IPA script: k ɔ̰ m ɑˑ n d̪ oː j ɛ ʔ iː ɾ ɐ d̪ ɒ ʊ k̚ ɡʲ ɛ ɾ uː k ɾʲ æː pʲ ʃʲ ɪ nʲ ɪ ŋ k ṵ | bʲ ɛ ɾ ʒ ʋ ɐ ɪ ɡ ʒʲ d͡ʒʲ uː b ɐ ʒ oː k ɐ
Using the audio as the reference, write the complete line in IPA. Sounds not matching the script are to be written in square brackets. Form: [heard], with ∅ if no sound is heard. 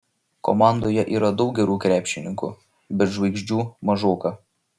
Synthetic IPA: k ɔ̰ m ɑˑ n d̪ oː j ɛ ʔ iː ɾ ɐ d̪ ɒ ʊ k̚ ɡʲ ɛ ɾ uː k ɾʲ æː pʲ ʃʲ ɪ nʲ ɪ ŋ k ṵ | bʲ ɛ ɾ ʒ ʋ ɐ ɪ ɡ ʒʲ d͡ʒʲ uː [m] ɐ ʒ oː k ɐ